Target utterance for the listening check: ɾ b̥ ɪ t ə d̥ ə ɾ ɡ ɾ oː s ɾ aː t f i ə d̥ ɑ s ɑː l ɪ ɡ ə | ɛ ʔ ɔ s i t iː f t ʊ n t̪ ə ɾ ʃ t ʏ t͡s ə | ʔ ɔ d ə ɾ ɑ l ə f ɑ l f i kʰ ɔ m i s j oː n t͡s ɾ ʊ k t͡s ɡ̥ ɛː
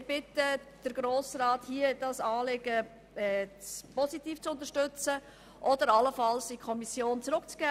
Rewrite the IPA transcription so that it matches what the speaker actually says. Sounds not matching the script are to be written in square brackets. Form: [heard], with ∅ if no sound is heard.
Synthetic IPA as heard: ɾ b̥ ɪ t ə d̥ ə ɾ ɡ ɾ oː s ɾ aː t [h] i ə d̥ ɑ s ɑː l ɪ ɡ ə | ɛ [p] ɔ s i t iː f [t͡s] ʊ n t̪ ə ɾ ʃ t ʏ t͡s ə | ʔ ɔ d ə ɾ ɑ l ə f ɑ l [s] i kʰ ɔ m i s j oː n t͡s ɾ ʊ k t͡s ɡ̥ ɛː

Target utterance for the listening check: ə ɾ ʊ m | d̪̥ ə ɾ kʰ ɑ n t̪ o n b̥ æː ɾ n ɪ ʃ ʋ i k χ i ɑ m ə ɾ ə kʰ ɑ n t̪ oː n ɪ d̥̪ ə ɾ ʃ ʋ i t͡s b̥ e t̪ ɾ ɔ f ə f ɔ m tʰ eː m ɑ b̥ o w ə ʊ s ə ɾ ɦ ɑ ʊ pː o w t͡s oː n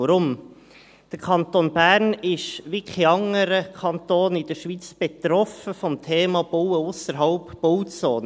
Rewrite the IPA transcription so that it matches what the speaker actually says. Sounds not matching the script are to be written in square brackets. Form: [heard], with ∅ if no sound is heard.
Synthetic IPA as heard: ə ɾ ʊ m | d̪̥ ə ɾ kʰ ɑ n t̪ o n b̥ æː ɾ n ɪ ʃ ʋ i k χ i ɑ [ŋ] ə ɾ ə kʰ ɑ n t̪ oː n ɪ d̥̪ ə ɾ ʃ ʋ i t͡s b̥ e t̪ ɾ ɔ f ə f ɔ m tʰ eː m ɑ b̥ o w ə ʊ s ə ɾ ɦ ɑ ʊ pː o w t͡s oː n

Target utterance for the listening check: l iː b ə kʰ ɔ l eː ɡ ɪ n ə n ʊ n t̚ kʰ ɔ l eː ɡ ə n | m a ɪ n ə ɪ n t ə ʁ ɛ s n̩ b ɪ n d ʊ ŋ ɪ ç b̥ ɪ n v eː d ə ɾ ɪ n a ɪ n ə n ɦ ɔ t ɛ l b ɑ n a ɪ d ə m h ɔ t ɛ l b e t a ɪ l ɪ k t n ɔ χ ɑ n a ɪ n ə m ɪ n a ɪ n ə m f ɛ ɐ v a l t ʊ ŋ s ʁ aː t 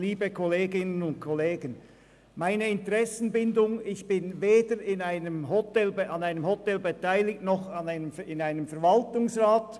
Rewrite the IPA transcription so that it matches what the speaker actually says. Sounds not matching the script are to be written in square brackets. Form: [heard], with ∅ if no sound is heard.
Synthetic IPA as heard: l iː b ə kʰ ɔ l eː ɡ ɪ n ə n ʊ n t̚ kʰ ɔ l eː ɡ ə n | m a ɪ n ə ɪ n t ə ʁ ɛ s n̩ b ɪ n d ʊ ŋ ɪ ç b̥ ɪ n v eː d ə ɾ ɪ n a ɪ n ə [m] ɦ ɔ t ɛ l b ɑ n a ɪ [n] ə m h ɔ t ɛ l b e t a ɪ l ɪ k t n ɔ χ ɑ n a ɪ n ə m ɪ n a ɪ n ə m f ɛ ɐ v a l t ʊ ŋ s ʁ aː t

